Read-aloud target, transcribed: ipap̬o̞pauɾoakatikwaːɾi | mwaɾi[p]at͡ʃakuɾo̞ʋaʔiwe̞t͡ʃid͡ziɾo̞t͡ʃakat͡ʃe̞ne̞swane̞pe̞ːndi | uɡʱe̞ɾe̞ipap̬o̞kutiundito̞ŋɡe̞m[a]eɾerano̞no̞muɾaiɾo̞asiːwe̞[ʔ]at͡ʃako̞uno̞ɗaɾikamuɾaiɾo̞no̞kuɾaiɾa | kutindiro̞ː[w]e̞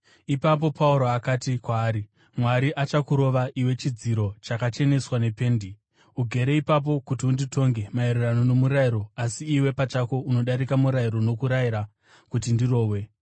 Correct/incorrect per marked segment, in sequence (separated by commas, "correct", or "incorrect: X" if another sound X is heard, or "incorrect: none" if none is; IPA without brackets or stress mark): incorrect: ʔ, correct, incorrect: p, correct